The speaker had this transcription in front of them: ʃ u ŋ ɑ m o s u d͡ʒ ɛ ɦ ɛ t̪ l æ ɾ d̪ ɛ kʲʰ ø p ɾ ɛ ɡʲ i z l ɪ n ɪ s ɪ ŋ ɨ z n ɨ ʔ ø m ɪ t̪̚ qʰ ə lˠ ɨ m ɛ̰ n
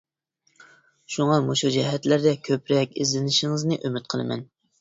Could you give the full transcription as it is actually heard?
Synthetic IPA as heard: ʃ u ŋ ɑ m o ʃ u d͡ʒ ɛ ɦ ɛ t̪ l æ ɾ d̪ ɛ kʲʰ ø p ɾ ɛ kʲ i z l ɪ n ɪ ʃ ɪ ŋ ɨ z n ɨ ʔ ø m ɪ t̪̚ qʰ ə lˠ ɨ m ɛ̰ n